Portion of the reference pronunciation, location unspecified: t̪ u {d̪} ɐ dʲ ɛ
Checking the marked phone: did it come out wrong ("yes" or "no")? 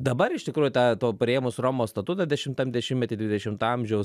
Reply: yes